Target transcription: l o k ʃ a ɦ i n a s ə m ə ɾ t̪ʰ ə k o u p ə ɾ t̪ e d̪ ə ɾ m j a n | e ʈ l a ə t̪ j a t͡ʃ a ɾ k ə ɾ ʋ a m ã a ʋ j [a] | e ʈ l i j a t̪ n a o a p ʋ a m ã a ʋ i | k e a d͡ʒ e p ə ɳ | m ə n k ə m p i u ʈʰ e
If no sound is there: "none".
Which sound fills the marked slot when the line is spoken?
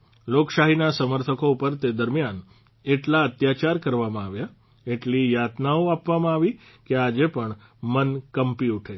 a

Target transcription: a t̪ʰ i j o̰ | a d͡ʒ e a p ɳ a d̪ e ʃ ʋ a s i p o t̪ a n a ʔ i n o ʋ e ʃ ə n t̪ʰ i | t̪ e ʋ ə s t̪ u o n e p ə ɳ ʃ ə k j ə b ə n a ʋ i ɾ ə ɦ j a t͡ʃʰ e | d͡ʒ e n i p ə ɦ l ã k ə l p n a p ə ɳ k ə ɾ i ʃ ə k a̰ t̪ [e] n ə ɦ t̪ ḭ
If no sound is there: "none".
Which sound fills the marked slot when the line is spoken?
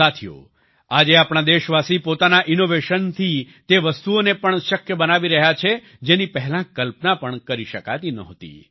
i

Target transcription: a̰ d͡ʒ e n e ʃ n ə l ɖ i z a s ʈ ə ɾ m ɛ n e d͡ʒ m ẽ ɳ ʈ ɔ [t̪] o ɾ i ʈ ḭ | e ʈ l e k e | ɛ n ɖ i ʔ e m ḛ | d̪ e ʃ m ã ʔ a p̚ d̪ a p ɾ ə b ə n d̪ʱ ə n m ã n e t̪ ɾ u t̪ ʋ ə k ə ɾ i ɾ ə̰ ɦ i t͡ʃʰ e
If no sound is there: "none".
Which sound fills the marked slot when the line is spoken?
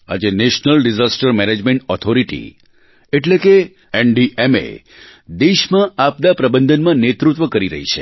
t̪ʰ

